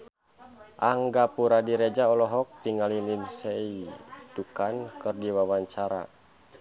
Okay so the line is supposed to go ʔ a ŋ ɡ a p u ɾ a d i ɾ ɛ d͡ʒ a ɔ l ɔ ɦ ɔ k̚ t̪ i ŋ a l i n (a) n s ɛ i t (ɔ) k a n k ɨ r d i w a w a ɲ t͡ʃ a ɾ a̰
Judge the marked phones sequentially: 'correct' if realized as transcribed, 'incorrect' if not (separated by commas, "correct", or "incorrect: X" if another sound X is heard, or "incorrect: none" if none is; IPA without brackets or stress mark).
incorrect: i, incorrect: u